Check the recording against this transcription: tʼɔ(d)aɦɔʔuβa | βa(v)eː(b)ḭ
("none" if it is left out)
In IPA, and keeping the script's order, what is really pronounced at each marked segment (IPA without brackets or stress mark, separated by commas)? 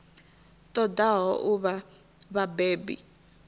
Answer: d, b, b